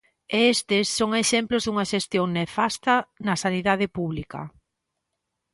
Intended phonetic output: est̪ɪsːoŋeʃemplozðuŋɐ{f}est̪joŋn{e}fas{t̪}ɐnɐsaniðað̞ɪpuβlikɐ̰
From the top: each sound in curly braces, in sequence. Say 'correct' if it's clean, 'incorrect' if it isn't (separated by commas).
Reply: incorrect, correct, correct